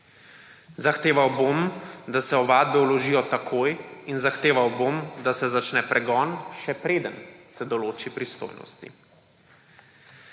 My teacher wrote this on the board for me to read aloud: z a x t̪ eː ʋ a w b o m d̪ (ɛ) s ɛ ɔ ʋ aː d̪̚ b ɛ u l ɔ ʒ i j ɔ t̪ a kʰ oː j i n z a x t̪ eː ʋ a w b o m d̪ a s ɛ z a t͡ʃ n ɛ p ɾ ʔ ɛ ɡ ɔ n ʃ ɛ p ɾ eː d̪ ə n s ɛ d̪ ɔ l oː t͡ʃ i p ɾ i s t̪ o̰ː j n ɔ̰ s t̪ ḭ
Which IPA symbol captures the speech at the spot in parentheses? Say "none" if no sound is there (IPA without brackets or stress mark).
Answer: a